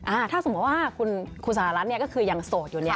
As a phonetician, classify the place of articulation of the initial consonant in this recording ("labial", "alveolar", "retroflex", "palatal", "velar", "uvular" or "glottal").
glottal